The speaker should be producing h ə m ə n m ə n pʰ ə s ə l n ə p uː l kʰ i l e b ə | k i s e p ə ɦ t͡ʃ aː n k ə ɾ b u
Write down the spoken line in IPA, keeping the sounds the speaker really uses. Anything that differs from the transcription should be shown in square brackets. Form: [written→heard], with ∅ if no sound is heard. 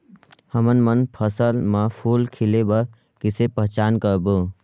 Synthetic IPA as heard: h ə m ə n m ə n pʰ ə s ə l [n→m] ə [p→pʰ] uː l kʰ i l e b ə | k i s e p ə ɦ t͡ʃ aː n k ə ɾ b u